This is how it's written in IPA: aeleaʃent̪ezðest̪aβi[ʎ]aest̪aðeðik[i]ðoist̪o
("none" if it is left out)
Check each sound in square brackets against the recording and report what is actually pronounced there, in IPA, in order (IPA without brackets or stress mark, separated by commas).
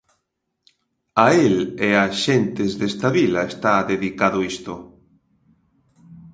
l, a